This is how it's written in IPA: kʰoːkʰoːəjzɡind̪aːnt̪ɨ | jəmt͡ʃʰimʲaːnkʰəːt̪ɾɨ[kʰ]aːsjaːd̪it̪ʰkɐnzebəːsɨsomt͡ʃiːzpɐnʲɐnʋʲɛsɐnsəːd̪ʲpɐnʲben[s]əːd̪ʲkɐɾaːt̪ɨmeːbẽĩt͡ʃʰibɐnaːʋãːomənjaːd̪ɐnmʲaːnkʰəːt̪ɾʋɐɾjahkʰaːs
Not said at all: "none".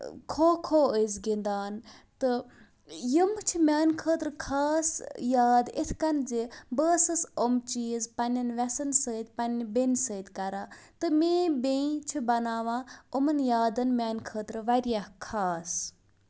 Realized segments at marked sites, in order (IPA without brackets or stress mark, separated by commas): kʰ, s